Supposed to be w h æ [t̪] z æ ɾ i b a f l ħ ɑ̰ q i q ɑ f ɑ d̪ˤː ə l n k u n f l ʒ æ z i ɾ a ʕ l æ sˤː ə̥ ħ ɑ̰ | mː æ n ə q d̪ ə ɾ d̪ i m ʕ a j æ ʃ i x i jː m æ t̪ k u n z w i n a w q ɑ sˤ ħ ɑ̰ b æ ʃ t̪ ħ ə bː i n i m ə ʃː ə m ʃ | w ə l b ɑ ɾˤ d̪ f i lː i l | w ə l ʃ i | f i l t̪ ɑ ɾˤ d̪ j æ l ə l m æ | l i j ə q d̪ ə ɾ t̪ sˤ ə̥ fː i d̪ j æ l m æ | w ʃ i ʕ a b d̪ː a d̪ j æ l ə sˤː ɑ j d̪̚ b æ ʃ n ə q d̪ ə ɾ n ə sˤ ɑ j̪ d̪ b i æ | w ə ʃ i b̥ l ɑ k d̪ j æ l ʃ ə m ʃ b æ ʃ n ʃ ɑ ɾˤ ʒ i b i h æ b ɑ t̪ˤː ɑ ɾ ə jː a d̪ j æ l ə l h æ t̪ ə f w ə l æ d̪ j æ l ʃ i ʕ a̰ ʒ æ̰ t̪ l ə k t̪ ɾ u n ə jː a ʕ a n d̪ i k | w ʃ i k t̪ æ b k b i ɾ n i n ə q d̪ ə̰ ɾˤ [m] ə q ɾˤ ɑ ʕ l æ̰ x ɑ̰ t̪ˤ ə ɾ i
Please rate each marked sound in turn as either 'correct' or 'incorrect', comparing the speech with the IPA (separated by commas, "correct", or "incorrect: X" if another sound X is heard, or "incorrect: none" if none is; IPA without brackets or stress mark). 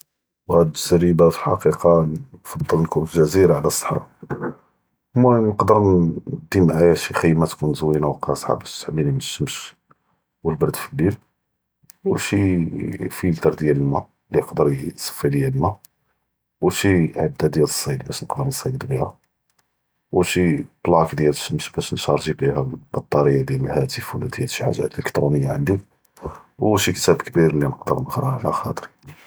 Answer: incorrect: d̪, incorrect: n